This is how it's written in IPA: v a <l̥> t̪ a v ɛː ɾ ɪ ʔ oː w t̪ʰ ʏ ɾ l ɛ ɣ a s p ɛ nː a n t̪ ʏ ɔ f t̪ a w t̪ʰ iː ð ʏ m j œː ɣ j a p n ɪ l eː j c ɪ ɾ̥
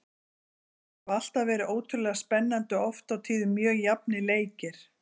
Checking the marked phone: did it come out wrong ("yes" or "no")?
no